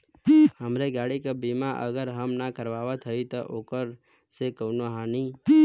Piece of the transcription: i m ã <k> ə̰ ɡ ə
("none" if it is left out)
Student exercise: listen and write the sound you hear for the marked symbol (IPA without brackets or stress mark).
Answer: ʔ